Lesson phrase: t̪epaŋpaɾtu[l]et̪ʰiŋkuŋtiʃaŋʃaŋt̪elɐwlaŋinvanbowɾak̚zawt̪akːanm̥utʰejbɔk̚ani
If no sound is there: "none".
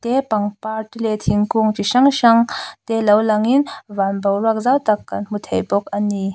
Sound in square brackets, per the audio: l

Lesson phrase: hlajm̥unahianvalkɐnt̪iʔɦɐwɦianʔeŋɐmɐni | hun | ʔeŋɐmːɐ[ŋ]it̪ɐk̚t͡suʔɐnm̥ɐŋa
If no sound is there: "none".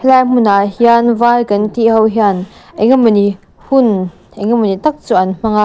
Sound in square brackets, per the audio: n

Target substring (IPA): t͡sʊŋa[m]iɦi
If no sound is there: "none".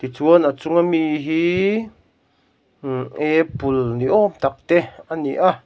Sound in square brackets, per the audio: m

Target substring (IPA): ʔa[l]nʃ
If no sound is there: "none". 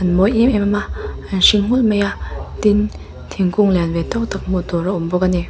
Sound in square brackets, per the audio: none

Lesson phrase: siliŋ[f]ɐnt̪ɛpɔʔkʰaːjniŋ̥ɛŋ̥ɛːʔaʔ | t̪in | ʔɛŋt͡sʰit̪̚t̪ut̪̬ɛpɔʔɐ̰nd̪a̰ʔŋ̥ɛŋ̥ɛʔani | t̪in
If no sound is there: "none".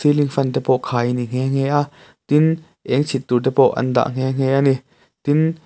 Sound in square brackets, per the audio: f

